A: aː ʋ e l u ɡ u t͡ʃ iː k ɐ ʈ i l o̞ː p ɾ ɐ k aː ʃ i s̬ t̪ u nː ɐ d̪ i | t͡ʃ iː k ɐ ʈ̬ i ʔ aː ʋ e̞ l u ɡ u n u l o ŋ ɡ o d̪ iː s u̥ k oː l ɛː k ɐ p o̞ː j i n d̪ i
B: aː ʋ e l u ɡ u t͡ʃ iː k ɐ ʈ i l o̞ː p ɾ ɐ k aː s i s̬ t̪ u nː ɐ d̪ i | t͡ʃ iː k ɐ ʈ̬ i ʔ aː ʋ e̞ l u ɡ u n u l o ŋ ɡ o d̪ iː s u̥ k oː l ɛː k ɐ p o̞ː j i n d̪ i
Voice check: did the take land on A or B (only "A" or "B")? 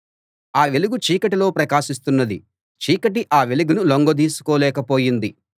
A